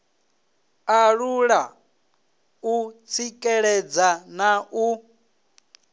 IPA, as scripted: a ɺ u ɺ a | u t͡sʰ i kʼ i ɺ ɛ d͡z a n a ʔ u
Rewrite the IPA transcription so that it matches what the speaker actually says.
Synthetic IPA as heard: a ɺ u ɺ a | u t͡sʰ i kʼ ɛ ɺ ɛ d͡z a n a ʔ u